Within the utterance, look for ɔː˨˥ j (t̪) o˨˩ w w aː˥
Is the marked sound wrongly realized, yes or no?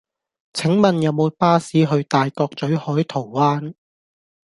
yes